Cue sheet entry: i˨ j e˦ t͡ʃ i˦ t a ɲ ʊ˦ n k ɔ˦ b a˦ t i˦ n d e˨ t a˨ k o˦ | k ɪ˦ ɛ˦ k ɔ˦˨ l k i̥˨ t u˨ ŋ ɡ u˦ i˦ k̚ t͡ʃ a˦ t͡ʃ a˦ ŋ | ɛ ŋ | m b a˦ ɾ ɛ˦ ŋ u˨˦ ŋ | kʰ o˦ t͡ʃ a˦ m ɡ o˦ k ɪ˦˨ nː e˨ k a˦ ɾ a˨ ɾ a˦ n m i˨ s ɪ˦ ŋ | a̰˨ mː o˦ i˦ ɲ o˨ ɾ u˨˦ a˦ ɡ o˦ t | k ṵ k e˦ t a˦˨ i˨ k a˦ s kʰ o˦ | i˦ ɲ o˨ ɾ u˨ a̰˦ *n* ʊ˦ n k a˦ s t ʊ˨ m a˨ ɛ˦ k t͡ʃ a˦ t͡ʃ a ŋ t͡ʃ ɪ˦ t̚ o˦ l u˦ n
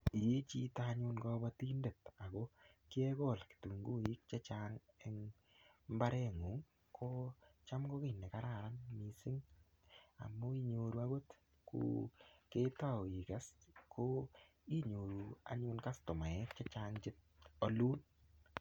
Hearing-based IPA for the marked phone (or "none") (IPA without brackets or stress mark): ɲ